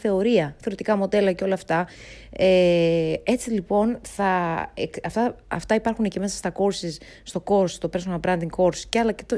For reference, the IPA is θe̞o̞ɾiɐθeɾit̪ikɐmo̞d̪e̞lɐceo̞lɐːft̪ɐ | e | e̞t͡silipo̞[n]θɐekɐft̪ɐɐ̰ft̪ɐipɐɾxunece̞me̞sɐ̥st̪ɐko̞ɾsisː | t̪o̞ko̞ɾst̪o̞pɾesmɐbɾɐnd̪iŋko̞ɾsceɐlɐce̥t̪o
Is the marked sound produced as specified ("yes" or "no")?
yes